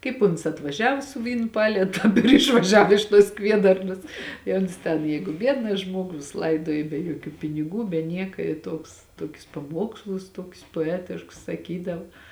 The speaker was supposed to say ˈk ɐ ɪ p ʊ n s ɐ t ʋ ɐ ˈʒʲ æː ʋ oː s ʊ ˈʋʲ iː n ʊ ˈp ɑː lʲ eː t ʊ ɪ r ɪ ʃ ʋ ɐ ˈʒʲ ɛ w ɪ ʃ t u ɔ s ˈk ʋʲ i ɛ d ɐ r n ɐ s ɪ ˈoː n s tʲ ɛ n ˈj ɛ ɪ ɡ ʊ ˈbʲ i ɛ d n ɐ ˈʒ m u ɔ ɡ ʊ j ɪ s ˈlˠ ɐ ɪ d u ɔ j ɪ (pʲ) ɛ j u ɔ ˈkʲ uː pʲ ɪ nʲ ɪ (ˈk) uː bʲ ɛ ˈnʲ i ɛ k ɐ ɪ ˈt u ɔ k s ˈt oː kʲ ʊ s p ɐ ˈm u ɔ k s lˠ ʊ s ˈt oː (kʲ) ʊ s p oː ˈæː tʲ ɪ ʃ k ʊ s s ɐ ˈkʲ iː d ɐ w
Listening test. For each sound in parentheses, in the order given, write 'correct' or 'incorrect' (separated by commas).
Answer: incorrect, incorrect, correct